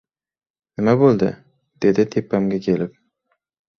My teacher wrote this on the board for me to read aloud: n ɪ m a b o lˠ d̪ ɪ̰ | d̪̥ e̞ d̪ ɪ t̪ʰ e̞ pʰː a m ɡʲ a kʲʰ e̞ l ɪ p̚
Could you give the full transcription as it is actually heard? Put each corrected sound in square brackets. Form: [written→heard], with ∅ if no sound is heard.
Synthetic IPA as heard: n ɪ m a b o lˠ d̪ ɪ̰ | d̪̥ e̞ d̪ ɪ t̪ʰ e̞ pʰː a m ɡʲ a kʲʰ e̞ l ɪ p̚